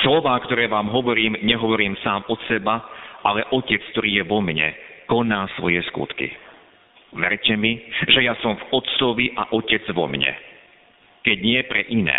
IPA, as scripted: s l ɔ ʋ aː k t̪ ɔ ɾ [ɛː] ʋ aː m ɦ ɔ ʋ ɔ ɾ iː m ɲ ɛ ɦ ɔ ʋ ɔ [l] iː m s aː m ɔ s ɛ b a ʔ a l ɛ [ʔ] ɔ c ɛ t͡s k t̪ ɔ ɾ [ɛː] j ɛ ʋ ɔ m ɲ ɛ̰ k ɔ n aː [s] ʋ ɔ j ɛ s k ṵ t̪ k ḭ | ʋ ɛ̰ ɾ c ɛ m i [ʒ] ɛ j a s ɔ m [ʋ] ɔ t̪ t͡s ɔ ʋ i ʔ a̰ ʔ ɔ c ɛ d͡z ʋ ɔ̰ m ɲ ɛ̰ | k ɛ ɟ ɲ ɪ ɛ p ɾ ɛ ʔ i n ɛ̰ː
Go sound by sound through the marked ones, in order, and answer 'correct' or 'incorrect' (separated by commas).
correct, incorrect, correct, incorrect, correct, correct, incorrect